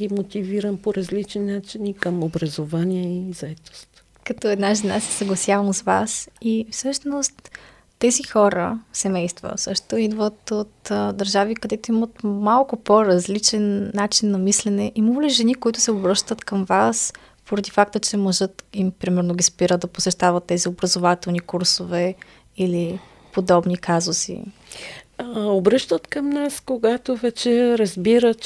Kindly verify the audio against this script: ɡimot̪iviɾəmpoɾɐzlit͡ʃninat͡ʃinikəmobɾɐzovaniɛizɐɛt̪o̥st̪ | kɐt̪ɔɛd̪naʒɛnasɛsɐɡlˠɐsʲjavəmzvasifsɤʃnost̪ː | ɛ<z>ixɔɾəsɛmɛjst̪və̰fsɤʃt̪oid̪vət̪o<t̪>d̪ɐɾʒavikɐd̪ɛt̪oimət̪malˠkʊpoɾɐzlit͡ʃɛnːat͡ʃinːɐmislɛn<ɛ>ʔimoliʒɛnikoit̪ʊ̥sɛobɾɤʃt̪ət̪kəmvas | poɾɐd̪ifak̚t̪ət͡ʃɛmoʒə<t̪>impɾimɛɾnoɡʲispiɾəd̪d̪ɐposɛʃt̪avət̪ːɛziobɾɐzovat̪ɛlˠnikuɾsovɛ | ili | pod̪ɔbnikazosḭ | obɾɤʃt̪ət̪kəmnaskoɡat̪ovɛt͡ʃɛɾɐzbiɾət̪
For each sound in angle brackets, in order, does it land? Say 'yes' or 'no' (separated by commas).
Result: yes, yes, yes, yes